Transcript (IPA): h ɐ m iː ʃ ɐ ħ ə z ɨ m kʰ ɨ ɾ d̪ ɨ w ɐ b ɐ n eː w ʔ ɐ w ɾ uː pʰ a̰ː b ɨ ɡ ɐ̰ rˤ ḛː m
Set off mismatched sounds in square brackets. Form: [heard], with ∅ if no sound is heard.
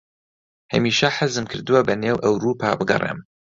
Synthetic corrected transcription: h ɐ m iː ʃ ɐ ħ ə z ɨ m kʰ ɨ ɾ d̪ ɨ w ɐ b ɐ n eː w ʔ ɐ w ɾ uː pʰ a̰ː b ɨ ɡ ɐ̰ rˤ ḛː m